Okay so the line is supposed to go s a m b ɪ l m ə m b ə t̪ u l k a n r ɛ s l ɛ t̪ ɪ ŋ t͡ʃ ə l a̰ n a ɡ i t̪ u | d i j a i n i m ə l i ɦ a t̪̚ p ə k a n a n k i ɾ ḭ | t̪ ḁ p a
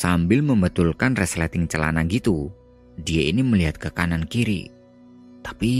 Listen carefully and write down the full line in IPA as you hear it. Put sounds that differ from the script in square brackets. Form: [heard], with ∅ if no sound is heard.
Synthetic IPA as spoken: s a m b ɪ l m ə m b ə t̪ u l k a n r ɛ s l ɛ t̪ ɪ ŋ t͡ʃ ə l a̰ n a ɡ i t̪ u | d i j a i n i m ə l i ɦ a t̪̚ [k] ə k a n a n k i ɾ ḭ | t̪ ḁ p [i]